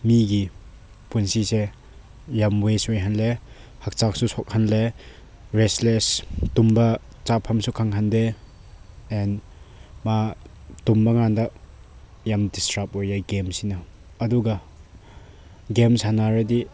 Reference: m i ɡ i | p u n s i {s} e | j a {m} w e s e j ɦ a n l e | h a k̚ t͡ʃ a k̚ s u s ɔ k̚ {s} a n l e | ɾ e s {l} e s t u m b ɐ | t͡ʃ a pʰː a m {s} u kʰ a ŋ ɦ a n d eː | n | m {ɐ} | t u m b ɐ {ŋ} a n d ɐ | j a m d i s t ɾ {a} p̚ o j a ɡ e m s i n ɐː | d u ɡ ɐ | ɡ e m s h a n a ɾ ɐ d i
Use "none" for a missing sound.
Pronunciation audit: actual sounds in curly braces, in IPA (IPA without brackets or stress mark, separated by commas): s, m, h, l, s, a, ŋ, a